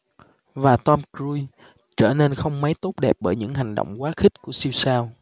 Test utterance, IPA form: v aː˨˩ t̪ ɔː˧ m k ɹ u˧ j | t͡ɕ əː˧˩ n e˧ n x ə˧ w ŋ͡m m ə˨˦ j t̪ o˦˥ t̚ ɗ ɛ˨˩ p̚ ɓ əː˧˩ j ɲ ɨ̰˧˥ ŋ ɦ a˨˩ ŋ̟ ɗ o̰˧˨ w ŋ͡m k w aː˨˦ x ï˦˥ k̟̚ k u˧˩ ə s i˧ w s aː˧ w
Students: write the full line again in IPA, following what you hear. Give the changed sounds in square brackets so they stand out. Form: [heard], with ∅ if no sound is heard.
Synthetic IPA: v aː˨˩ t̪ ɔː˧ m k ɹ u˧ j | t͡ɕ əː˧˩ n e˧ n x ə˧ w ŋ͡m m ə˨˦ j t̪ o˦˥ t̚ ɗ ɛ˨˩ p̚ ɓ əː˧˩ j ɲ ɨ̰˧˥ ŋ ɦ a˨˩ ŋ̟ ɗ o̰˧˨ w ŋ͡m k w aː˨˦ x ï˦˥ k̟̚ k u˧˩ ə s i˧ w s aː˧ w